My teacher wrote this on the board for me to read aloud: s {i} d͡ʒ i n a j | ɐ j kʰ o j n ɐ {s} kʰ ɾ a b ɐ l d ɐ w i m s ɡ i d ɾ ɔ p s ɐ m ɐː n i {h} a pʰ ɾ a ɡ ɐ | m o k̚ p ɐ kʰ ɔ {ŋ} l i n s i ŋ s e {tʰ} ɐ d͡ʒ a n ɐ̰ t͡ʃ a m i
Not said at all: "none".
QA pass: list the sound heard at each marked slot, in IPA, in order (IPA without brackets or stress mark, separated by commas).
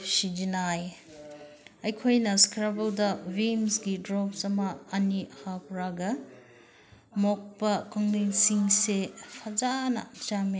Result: i, s, h, ŋ, pʰ